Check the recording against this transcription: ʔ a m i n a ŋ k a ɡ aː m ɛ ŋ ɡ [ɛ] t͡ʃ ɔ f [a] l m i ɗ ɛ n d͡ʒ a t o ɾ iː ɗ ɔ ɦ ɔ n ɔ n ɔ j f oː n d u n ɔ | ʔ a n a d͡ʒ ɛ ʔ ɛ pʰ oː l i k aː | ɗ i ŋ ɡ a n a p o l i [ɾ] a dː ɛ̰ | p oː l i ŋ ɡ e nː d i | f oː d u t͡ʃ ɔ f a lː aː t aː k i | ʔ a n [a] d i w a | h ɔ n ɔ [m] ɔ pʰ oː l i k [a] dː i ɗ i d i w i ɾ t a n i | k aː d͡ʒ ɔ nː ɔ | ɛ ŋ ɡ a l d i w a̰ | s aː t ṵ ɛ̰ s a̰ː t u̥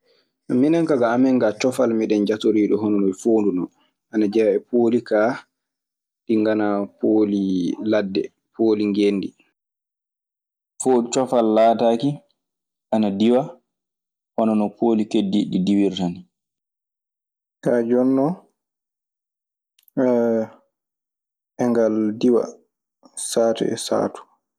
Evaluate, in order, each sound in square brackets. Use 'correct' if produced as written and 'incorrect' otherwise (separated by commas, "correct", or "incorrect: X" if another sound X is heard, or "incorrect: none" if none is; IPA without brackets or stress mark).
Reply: incorrect: a, correct, incorrect: l, correct, incorrect: n, incorrect: e